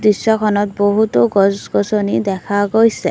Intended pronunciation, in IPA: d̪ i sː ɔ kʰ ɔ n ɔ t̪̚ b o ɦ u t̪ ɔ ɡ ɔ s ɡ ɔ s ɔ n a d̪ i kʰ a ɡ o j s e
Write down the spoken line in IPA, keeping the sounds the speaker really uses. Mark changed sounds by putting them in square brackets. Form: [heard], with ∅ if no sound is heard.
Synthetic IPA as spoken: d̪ i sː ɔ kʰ ɔ n ɔ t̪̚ b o ɦ u t̪ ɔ ɡ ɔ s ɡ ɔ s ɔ n [i] d̪ [ɛ] kʰ a ɡ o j s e